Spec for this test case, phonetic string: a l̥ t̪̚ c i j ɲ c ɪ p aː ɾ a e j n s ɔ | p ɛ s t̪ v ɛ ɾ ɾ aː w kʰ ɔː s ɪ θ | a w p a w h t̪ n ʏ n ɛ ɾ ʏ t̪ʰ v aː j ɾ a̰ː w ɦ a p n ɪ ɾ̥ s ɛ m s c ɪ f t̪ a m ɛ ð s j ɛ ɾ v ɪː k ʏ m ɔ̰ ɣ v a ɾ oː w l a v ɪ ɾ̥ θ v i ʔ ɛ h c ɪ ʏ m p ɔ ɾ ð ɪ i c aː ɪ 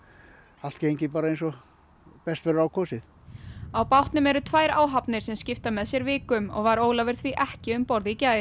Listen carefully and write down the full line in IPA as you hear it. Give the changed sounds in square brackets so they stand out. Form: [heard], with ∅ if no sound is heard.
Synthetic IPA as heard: a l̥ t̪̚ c [e] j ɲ c ɪ p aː ɾ a e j n s ɔ | p ɛ s t̪ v ɛ ɾ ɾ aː w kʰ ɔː s ɪ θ | a w p a w h t̪ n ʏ [m] ɛ ɾ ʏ t̪ʰ v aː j ɾ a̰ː w ɦ a p n ɪ ɾ̥ s ɛ m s c ɪ f t̪ a m ɛ ð s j ɛ ɾ v ɪː k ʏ m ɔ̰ ɣ v a ɾ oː w l a v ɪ ɾ̥ θ v i ʔ ɛ h c ɪ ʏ m p ɔ ɾ ð ɪ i c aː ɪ

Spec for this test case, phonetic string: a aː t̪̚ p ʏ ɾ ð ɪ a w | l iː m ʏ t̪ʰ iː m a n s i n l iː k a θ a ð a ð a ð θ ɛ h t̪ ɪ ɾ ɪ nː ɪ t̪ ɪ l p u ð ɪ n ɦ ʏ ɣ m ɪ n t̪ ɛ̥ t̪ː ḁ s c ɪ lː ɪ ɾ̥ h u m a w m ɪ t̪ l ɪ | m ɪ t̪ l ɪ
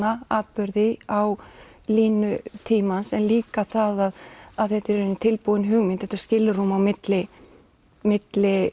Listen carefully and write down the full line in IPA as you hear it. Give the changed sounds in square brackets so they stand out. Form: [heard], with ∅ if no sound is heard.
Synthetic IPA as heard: a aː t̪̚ p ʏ ɾ ð ɪ a w | l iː [n] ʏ t̪ʰ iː m a n s [ɛ] n l iː k a θ a ð a ð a ð θ ɛ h t̪ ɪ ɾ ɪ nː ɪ [t̪ʰ] ɪ l p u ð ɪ n ɦ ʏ ɣ m ɪ n t̪ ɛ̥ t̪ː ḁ s c ɪ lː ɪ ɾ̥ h u m a w m ɪ t̪ l ɪ | m ɪ t̪ l ɪ

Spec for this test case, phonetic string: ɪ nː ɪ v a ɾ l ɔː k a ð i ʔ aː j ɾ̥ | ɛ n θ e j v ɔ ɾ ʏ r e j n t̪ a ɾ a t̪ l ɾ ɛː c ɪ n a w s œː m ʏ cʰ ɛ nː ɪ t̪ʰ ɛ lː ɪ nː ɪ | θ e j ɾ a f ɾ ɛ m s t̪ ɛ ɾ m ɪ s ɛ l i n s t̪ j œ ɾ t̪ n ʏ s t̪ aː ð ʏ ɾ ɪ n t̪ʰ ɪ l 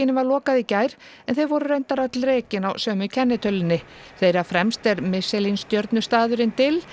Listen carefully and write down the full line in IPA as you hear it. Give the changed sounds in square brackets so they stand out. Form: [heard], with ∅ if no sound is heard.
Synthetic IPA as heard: ɪ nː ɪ v a ɾ l ɔː k a ð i [c] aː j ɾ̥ | ɛ n θ e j v ɔ ɾ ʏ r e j n t̪ a ɾ a t̪ l ɾ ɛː c ɪ n a w s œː m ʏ cʰ ɛ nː ɪ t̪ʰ [œ] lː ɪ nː ɪ | θ e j ɾ a f ɾ ɛ m s t̪ ɛ ɾ m ɪ s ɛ l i n s t̪ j œ ɾ t̪ n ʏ s t̪ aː ð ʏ ɾ ɪ n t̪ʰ ɪ l

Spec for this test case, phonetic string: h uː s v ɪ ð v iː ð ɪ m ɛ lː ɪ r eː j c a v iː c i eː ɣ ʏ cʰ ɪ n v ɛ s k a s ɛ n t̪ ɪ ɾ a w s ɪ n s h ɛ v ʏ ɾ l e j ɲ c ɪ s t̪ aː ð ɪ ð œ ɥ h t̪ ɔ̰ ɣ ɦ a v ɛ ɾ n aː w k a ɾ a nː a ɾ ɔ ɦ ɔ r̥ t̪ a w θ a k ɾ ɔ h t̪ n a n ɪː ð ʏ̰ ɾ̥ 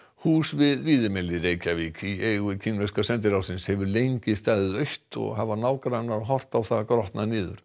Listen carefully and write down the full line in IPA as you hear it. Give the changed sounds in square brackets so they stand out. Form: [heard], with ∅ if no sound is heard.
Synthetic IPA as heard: h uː s v ɪ ð v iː ð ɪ m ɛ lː ɪ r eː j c a v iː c i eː ɣ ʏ cʰ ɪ n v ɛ s k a s ɛ n t̪ ɪ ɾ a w s ɪ n s h ɛ v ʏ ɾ l e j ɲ c ɪ s t̪ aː ð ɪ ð œ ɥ h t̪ ɔ̰ ɣ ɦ a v [a] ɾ n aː w k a ɾ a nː a ɾ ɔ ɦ ɔ r̥ t̪ a w θ a k ɾ ɔ h t̪ n a n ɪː ð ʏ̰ ɾ̥

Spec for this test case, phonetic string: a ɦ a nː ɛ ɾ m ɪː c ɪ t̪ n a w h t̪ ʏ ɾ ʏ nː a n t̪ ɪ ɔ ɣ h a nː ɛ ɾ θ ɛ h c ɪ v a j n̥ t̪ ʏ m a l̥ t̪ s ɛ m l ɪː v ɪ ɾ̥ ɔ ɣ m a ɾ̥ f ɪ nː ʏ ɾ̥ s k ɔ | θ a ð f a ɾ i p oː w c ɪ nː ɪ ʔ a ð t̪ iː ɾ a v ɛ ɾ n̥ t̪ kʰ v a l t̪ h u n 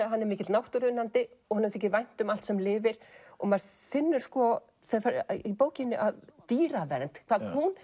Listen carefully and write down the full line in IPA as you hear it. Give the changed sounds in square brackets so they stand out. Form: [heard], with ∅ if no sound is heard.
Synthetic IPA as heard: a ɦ a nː ɛ ɾ m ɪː c ɪ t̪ n a w h t̪ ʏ ɾ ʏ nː a n t̪ ɪ ɔ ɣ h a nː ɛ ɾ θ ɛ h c ɪ v a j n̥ t̪ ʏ m a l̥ t̪ s ɛ m l ɪː v ɪ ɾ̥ ɔ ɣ m a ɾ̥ f ɪ nː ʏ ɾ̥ s k ɔ | θ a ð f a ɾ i p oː w c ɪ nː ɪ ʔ a ð t̪ iː ɾ a v ɛ ɾ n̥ t̪ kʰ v a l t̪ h u n

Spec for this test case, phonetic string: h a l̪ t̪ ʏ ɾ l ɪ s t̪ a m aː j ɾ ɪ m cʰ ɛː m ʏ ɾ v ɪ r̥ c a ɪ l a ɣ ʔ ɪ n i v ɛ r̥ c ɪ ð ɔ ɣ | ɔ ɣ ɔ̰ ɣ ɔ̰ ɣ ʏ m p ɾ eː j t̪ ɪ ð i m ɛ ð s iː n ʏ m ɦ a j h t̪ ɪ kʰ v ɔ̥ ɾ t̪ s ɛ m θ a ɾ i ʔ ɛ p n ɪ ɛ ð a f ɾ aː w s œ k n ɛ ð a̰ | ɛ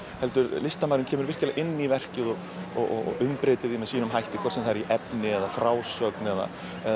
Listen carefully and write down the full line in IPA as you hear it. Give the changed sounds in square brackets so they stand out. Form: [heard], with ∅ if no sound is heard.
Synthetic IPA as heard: h [ɛ] l̪ t̪ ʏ ɾ l ɪ s t̪ a m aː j ɾ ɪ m cʰ ɛː m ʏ ɾ v ɪ r̥ c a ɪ l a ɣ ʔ ɪ [nː] i v ɛ r̥ c ɪ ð ɔ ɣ | ɔ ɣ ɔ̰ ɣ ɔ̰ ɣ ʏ m p ɾ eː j t̪ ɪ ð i m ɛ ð s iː n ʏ m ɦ a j h t̪ ɪ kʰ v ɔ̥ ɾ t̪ s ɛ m θ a ɾ i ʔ ɛ p n ɪ ɛ ð a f ɾ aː w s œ k n ɛ ð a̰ | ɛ

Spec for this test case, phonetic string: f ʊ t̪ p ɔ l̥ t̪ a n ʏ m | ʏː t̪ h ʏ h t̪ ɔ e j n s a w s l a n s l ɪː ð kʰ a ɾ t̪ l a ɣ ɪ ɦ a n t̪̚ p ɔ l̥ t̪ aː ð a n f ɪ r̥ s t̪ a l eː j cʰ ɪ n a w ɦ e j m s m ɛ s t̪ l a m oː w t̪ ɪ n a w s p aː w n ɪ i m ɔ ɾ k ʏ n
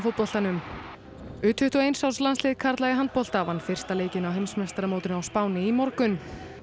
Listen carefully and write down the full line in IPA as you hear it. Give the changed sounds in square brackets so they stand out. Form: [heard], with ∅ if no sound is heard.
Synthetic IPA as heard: f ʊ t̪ p ɔ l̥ t̪ a n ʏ m | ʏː t̪ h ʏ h t̪ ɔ e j n s a w s l a n s l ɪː ð kʰ a ɾ t̪ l a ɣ ɪ ɦ a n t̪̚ p ɔ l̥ t̪ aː [v] a n f ɪ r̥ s t̪ a l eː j [c] ɪ n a w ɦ e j m s m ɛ s t̪ [ɾ] a m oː w t̪ ɪ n a w s p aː w n ɪ i m ɔ ɾ k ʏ n

